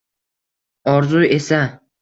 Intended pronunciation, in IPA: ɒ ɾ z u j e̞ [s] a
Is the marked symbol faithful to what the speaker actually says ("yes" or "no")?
yes